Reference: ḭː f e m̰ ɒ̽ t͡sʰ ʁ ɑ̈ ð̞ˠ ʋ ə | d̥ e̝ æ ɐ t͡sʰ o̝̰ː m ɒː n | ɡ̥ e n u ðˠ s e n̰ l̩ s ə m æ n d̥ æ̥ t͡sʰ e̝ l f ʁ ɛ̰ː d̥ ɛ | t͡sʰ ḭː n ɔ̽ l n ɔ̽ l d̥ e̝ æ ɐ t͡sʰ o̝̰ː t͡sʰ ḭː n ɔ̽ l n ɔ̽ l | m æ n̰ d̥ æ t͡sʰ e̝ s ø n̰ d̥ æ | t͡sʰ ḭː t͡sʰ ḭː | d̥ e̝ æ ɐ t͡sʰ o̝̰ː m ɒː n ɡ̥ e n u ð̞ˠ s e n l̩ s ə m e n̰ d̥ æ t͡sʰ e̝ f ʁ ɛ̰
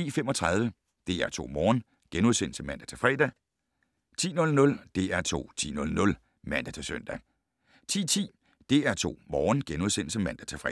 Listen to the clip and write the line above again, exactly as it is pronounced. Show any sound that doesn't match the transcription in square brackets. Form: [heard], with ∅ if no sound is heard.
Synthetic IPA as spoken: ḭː f e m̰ ɒ̽ t͡sʰ ʁ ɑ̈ ð̞ˠ ʋ ə | d̥ e̝ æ ɐ t͡sʰ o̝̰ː m ɒː n | ɡ̥ e n u ðˠ s e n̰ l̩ s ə m æ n d̥ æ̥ t͡sʰ e̝ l f ʁ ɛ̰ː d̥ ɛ | t͡sʰ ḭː n ɔ̽ l n ɔ̽ l d̥ e̝ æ ɐ t͡sʰ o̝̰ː t͡sʰ ḭː n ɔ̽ l n ɔ̽ l | m æ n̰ d̥ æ t͡sʰ e̝ s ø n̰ d̥ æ | t͡sʰ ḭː t͡sʰ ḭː | d̥ e̝ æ ɐ t͡sʰ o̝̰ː m ɒː n ɡ̥ e n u ð̞ˠ s e n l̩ s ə m [æ] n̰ d̥ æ t͡sʰ e̝ f ʁ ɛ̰